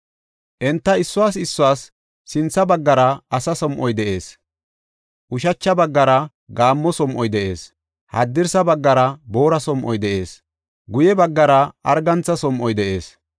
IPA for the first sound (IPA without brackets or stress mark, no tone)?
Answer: ʔ